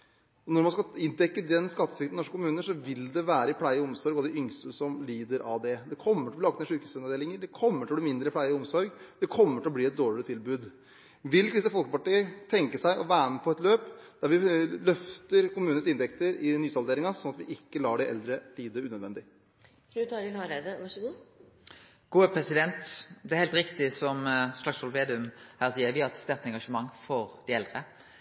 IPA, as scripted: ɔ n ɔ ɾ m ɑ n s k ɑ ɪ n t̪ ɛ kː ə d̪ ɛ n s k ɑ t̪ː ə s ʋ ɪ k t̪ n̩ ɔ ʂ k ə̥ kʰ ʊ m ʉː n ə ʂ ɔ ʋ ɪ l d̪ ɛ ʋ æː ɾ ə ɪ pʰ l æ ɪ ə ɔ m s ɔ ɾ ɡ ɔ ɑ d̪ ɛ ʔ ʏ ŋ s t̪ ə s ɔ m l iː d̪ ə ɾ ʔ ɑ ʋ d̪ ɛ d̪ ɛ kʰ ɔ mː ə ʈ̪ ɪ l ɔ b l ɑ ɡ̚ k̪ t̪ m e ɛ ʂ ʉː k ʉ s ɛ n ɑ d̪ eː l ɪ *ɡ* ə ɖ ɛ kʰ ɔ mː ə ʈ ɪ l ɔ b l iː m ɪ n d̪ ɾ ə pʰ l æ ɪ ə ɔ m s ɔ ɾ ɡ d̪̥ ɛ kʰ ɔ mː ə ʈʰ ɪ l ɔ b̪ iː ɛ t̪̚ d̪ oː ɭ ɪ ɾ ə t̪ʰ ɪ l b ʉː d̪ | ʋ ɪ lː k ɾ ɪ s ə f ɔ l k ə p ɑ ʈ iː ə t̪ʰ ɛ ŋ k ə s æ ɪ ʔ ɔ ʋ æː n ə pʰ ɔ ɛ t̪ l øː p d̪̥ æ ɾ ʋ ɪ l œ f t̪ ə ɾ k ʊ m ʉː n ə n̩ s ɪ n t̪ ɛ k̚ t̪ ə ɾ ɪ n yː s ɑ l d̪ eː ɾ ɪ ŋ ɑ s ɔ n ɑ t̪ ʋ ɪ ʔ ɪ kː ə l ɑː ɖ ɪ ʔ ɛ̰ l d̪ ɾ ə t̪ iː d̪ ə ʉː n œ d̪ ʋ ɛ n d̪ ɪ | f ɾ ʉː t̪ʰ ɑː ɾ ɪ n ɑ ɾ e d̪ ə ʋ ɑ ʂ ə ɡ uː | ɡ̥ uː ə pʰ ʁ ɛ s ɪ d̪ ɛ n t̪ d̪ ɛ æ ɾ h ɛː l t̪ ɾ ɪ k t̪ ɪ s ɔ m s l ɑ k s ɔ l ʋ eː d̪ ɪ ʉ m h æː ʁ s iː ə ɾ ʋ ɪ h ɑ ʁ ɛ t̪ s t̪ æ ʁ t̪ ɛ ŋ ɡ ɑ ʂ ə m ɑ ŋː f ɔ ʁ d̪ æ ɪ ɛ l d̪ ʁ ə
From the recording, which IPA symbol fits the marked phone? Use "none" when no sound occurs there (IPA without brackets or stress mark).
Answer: ŋ